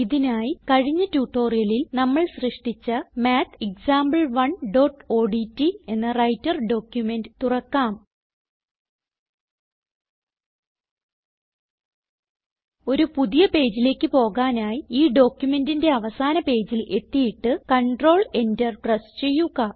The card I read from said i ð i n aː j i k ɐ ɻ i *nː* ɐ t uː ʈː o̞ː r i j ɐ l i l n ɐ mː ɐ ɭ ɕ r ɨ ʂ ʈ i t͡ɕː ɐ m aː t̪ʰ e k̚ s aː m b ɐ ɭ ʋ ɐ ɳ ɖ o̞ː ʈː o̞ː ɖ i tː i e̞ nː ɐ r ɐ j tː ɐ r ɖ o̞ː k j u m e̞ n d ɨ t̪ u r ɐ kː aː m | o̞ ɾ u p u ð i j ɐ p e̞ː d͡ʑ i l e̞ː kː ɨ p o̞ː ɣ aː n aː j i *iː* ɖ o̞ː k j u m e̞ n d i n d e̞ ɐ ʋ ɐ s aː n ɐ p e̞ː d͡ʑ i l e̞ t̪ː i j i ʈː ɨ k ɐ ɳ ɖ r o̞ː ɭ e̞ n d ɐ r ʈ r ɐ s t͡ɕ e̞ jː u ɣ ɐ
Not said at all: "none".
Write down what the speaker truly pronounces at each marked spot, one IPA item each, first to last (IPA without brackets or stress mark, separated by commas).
ɲː, iː